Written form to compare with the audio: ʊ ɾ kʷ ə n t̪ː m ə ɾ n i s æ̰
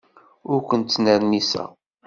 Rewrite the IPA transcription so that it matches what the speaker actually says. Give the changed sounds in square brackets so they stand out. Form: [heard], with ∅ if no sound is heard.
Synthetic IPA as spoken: ʊ ɾ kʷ ə n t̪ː [n] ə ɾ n i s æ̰

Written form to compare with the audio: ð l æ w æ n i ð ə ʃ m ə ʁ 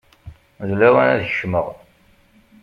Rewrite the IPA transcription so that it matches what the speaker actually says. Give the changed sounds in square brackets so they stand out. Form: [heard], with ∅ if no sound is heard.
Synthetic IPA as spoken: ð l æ w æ n [æ] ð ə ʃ m ə ʁ

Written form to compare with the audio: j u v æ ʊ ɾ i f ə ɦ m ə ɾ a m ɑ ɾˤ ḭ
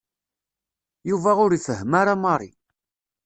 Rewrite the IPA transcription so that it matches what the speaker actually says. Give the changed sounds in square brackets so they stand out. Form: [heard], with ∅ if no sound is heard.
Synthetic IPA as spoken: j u v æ ʊ ɾ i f ə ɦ m [a] ɾ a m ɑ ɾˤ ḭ

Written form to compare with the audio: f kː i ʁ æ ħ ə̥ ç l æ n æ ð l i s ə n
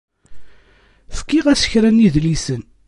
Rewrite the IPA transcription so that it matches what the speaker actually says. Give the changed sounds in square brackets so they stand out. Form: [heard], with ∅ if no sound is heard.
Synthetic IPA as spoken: f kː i ʁ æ [s] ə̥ ç [ɾ] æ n [i] ð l i s ə n

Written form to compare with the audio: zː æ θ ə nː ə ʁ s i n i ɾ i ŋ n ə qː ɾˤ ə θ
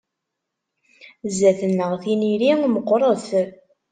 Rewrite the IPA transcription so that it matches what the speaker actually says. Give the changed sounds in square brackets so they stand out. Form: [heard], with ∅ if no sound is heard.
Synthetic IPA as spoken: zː æ θ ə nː ə ʁ [θ] i n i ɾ i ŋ [m] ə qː ɾˤ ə θ

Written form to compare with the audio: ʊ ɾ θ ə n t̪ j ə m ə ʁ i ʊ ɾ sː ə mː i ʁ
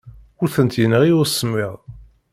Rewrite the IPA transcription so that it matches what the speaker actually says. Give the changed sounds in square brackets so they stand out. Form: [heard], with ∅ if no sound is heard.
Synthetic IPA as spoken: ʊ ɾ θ ə n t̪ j ə [n] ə ʁ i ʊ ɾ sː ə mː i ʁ

